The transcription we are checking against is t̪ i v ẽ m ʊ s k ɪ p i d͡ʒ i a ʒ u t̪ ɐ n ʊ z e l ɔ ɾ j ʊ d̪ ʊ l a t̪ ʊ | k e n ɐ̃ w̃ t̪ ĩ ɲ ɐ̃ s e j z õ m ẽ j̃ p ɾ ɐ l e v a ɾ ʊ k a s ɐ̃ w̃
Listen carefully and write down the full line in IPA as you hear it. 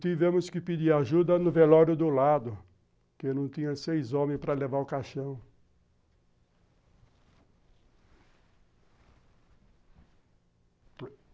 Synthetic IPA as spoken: t̪ i v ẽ m ʊ s k ɪ p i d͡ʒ i a ʒ u d̪ ɐ n ʊ v e l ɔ ɾ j ʊ d̪ ʊ l a d̪ ʊ | k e n ɐ̃ w̃ t̪ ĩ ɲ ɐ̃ s e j z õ m ẽ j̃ p ɾ ɐ l e v a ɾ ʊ k a ʃ ɐ̃ w̃